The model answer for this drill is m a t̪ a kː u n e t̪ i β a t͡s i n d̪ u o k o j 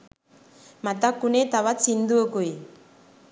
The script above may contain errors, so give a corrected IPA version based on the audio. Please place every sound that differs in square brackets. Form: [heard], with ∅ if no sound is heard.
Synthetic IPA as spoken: m a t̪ a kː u n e t̪ [a] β a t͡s i n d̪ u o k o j